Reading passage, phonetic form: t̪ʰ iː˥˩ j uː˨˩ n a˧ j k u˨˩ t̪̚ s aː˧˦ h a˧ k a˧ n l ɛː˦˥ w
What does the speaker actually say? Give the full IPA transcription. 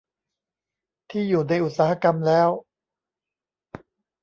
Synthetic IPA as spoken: t̪ʰ iː˥˩ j uː˨˩ n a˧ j ʔ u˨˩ t̪̚ s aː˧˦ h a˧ k a˧ m l ɛː˦˥ w